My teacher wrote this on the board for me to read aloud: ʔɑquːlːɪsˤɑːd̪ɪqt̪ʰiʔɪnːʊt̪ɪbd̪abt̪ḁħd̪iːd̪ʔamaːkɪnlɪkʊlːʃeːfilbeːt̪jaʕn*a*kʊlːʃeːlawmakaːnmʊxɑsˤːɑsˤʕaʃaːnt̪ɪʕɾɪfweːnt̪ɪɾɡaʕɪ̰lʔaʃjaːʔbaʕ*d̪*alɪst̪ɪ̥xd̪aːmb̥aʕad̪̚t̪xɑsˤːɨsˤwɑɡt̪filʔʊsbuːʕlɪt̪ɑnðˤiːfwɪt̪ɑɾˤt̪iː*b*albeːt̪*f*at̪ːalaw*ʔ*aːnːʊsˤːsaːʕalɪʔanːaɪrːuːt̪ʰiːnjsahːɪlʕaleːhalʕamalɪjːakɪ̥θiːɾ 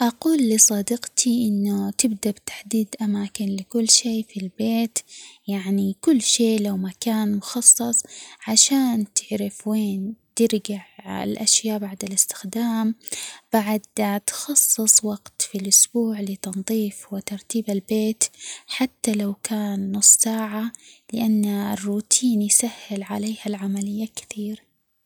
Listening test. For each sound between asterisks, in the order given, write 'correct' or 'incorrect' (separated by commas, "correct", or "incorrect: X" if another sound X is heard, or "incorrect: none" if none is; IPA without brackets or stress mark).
incorrect: i, correct, correct, incorrect: ħ, incorrect: k